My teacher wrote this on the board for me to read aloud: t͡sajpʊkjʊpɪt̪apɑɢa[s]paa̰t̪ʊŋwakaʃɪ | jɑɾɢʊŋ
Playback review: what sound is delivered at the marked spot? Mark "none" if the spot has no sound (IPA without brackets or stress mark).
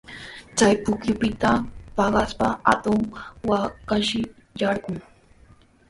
s